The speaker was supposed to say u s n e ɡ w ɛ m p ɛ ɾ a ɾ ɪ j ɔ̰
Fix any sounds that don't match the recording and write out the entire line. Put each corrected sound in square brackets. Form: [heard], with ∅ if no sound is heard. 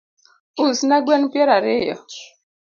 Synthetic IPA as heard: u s n [a] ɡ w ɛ [n] p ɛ ɾ a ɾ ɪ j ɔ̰

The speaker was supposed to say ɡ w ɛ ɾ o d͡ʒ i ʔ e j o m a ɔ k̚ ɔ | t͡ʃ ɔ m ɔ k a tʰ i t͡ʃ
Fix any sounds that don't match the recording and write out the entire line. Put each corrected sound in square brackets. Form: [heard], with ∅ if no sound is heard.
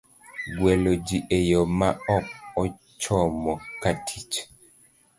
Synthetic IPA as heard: ɡ w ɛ [l] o d͡ʒ i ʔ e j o m a ɔ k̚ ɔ | t͡ʃ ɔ m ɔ k a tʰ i t͡ʃ

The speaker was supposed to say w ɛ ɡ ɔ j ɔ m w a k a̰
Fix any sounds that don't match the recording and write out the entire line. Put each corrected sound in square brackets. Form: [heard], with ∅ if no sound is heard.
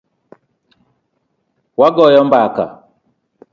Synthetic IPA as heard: w [a] ɡ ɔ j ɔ m [b] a k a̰

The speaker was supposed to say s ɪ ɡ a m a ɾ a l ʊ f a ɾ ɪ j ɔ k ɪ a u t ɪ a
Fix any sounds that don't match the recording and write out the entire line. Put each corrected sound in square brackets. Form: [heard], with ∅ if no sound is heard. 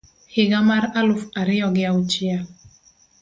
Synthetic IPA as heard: [h] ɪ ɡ a m a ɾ a l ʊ f a ɾ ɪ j ɔ [ɡ] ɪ a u [t͡ʃ] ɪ a

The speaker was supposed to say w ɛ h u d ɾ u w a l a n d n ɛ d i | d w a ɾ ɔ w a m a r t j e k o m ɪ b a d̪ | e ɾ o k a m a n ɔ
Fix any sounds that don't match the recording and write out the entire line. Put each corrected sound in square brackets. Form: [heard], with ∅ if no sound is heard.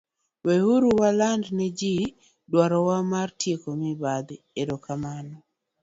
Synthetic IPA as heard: w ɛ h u [∅] ɾ u w a l a n d n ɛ [d͡ʒ] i | d w a ɾ ɔ w a m a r t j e k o m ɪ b a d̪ | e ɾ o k a m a n ɔ

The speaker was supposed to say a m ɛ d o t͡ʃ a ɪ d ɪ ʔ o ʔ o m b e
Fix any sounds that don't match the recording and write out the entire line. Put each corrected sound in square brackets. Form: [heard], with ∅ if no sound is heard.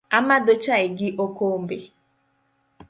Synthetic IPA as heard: a m [a] d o t͡ʃ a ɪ [ɡ] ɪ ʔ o [k] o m b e

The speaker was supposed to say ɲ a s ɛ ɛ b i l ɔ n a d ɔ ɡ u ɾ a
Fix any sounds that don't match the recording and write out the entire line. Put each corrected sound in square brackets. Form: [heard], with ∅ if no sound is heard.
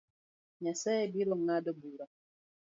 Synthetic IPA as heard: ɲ a s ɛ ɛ b i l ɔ [ŋ] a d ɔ [b] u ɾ a

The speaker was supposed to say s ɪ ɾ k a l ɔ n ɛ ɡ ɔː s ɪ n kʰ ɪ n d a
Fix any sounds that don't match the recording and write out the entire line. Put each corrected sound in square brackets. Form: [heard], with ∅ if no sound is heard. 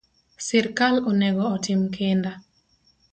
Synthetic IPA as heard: s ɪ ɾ k a l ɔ n ɛ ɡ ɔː [t] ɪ [m] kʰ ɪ n d a

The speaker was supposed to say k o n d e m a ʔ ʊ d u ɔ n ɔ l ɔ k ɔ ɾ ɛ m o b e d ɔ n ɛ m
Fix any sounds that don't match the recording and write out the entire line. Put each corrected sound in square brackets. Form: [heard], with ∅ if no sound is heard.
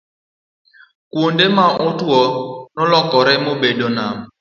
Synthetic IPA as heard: k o n d e m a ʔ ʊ [t] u ɔ n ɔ l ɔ k ɔ ɾ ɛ m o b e d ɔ n [a] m

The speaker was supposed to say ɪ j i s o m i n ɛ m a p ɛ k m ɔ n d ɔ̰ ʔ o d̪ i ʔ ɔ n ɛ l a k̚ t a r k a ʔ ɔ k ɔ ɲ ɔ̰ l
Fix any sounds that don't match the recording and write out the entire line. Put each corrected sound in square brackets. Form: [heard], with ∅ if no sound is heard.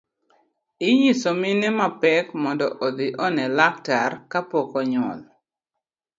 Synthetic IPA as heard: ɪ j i s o m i n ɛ m a p ɛ k m ɔ n d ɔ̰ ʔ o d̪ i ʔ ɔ n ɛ l a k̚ t a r k a [p] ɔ k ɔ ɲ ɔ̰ l

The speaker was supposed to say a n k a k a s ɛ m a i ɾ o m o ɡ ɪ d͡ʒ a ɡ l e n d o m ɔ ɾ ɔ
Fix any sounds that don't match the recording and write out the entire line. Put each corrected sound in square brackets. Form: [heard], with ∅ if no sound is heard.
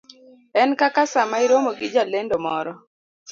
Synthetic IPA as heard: [ɛ] n k a k a s [a] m a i ɾ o m o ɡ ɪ d͡ʒ a [∅] l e n d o m ɔ ɾ ɔ

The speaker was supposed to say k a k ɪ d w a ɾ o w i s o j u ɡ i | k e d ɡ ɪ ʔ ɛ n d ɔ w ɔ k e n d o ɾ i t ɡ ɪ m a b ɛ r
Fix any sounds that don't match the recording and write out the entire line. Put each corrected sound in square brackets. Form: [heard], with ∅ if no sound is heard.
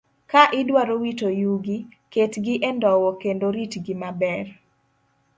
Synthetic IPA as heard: k a [ʔ] ɪ d w a ɾ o w i [t] o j u ɡ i | k e [t] ɡ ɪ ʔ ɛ n d ɔ w ɔ k e n d o ɾ i t ɡ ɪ m a b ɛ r

